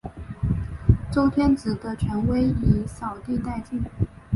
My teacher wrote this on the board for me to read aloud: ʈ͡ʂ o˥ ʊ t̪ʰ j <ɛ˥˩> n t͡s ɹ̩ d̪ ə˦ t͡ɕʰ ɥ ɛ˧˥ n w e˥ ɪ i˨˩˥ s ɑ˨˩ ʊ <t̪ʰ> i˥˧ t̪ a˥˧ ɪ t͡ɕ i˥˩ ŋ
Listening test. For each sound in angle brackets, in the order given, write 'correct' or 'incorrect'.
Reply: incorrect: ɛ˥, incorrect: t̪

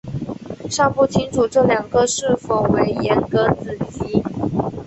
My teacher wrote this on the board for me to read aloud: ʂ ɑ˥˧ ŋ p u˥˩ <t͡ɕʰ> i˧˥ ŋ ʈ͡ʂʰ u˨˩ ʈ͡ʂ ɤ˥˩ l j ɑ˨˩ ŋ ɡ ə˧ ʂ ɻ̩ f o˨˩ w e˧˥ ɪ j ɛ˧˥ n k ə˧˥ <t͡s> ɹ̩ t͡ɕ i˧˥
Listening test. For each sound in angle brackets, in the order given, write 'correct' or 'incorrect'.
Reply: correct, correct

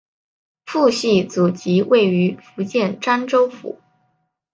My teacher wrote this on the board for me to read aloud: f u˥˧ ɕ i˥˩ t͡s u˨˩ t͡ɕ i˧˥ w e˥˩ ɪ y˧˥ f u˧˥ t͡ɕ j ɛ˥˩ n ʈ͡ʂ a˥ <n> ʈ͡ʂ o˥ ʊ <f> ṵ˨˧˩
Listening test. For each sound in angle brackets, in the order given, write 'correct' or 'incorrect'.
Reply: correct, correct

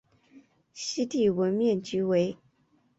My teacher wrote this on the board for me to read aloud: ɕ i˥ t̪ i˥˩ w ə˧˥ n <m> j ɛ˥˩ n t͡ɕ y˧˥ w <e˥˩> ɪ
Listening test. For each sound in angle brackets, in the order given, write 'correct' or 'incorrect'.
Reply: correct, incorrect: e˧˥

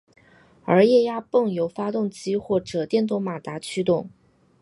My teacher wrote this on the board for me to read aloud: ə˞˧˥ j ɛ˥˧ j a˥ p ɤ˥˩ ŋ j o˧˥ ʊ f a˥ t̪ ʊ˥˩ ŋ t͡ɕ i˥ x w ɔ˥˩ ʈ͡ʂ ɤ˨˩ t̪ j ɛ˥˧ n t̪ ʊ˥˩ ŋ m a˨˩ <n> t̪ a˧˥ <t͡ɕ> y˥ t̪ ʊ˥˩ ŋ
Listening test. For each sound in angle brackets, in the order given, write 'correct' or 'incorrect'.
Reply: incorrect: none, incorrect: t͡ɕʰ

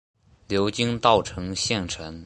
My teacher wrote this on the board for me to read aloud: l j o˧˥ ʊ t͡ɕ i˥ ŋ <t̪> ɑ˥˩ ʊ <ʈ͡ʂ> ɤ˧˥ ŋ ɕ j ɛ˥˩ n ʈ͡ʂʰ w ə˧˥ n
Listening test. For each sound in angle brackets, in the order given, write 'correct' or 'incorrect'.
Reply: correct, incorrect: ʈ͡ʂʰ

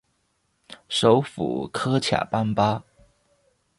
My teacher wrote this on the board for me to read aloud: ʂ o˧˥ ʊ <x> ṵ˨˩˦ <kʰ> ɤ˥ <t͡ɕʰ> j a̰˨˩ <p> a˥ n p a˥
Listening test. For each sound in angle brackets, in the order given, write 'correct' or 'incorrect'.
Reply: incorrect: f, correct, correct, correct

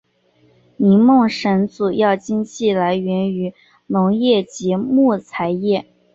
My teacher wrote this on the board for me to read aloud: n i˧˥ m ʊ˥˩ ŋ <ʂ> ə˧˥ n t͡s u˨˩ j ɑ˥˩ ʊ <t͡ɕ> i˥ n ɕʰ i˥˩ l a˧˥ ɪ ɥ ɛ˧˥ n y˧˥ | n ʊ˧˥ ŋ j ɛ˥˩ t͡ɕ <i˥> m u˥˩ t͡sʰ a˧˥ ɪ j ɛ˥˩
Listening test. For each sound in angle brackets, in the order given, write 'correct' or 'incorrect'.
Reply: correct, correct, incorrect: i˧˥

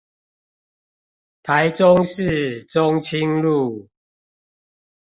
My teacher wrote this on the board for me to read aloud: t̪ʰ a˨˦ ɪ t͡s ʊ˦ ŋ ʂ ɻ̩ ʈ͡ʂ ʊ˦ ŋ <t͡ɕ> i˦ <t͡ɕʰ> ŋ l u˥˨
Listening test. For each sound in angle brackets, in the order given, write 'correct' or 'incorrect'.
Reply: incorrect: t͡ɕʰ, incorrect: none

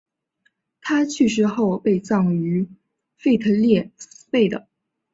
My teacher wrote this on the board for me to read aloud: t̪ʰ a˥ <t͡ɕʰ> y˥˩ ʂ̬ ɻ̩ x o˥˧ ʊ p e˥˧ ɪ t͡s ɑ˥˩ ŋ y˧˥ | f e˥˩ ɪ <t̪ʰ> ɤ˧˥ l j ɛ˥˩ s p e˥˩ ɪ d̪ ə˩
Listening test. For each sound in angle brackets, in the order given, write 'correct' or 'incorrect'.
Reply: correct, correct

